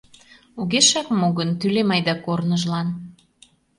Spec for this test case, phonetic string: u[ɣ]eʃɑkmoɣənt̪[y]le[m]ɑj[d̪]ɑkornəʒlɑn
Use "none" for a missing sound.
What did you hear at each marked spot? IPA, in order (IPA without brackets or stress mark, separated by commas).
ɣ, y, m, d̪